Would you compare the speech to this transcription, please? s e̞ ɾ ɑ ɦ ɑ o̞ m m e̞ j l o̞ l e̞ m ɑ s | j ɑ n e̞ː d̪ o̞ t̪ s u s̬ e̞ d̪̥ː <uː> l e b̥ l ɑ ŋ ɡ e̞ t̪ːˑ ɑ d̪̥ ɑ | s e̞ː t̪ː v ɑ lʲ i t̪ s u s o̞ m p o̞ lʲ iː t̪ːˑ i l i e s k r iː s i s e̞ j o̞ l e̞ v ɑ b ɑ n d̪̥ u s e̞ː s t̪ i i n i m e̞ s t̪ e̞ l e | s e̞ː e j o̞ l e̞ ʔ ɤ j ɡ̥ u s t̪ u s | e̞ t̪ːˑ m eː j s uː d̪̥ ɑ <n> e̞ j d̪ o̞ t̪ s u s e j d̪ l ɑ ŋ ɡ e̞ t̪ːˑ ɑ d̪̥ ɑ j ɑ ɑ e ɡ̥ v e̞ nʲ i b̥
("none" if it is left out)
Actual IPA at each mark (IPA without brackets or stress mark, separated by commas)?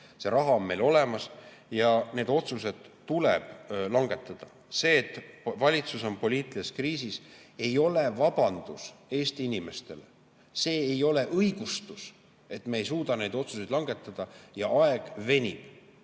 u, n